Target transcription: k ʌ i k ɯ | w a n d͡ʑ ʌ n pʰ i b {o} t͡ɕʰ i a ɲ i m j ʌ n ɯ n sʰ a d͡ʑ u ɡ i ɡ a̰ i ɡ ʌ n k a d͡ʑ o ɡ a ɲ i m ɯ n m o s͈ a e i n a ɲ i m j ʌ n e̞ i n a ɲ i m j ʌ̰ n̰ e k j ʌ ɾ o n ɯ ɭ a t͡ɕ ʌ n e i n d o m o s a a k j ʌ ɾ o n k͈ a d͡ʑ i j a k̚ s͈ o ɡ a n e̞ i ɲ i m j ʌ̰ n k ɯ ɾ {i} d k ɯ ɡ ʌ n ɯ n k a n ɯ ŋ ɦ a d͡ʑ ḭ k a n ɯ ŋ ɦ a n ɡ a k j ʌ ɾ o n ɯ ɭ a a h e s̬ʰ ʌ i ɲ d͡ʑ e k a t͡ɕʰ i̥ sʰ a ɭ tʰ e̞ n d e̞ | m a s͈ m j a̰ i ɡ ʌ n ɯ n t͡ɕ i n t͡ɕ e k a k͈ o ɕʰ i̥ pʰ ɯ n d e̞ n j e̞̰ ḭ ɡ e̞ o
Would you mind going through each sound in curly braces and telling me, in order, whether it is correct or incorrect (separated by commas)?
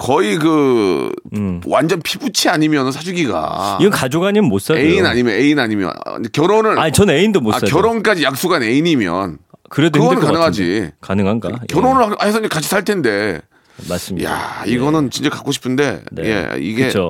incorrect, incorrect